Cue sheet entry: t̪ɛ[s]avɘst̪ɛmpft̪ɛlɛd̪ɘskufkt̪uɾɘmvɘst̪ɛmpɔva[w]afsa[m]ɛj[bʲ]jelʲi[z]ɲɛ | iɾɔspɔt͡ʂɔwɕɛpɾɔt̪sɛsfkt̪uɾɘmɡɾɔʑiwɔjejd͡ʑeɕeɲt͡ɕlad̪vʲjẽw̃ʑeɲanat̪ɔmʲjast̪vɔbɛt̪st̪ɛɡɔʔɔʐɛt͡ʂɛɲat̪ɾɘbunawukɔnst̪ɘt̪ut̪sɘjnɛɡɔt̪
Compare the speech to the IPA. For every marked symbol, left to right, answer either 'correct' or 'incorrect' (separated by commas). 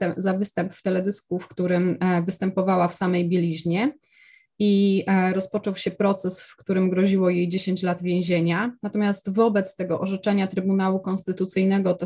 incorrect, correct, correct, correct, incorrect